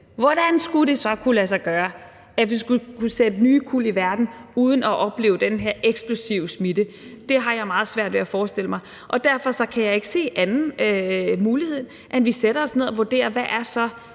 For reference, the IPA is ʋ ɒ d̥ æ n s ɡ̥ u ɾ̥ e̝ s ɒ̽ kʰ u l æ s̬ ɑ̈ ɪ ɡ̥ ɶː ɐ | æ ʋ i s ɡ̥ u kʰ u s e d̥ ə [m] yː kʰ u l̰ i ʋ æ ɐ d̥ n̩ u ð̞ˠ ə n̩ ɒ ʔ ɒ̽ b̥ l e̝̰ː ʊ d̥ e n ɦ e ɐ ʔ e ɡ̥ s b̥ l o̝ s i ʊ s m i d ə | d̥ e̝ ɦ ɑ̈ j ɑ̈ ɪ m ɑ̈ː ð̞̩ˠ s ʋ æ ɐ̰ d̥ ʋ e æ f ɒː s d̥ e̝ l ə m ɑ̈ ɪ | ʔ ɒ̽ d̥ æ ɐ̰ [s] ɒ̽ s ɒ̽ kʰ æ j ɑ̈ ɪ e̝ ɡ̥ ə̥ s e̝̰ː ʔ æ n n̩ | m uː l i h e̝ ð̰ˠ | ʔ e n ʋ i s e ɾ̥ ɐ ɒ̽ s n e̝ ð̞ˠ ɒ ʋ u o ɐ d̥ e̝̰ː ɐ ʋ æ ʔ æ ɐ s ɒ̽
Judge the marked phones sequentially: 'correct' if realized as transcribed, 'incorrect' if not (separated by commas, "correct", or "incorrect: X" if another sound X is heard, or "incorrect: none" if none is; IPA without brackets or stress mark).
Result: incorrect: n, incorrect: f